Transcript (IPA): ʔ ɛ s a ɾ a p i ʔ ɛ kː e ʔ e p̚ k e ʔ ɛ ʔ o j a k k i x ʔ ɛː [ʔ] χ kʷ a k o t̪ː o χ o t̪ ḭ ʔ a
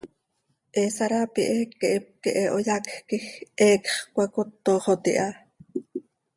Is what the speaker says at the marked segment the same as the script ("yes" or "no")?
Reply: no